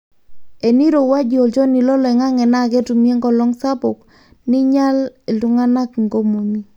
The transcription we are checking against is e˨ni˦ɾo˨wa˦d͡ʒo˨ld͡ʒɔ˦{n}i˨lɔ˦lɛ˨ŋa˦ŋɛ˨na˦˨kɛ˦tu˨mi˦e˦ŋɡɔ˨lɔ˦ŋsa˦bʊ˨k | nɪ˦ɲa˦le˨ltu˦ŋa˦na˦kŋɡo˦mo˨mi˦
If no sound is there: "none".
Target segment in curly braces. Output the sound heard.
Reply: n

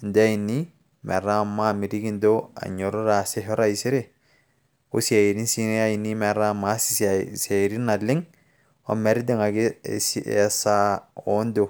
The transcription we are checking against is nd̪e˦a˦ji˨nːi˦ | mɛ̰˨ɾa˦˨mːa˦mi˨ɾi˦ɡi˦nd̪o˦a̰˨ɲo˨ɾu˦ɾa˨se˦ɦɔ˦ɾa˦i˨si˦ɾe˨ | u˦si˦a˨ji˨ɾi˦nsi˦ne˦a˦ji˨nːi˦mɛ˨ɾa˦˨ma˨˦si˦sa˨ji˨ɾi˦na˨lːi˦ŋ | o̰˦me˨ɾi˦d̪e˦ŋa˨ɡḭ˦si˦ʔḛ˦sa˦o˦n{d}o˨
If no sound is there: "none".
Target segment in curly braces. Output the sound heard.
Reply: d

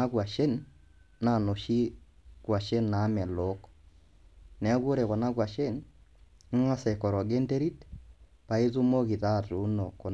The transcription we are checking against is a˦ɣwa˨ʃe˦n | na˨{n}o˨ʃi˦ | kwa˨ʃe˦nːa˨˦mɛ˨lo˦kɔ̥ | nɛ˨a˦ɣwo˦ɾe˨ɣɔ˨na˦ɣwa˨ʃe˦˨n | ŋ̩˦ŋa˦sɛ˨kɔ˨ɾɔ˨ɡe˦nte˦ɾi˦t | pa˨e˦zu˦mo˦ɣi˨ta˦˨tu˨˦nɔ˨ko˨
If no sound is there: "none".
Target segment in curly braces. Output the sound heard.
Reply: n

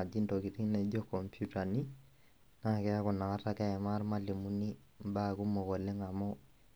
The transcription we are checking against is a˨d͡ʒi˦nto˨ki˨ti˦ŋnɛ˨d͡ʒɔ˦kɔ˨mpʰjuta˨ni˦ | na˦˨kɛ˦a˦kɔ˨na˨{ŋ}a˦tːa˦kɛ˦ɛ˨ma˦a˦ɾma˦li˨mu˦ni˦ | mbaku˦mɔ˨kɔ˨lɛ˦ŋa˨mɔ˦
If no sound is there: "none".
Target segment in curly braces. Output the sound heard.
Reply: ŋ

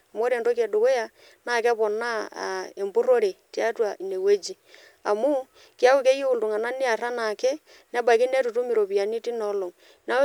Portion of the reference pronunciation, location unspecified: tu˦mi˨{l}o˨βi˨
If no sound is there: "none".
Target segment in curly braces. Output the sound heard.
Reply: ɾ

